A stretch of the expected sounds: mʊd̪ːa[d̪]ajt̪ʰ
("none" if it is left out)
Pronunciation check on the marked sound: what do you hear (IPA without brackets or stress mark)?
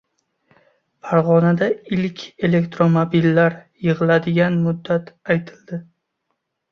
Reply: t̪